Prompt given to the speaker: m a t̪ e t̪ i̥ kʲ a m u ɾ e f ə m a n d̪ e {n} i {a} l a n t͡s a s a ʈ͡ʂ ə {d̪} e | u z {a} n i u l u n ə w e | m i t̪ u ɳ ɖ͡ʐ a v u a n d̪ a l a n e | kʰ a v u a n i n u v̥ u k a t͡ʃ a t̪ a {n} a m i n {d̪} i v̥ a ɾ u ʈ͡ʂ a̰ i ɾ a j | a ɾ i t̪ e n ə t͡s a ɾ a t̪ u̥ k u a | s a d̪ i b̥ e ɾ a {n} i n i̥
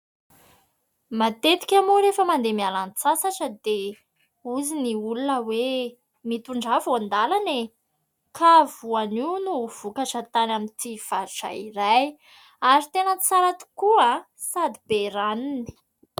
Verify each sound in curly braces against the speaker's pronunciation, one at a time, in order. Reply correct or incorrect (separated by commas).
incorrect, correct, correct, incorrect, correct, incorrect, correct